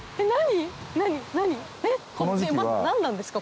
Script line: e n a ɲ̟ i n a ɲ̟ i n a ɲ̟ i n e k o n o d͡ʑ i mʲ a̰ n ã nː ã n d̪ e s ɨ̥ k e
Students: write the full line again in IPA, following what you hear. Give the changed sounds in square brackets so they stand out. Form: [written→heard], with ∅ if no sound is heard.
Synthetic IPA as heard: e n a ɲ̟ i n a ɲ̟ i n a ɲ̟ i n e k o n o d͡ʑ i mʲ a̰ n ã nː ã n d̪ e s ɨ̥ k [e→a]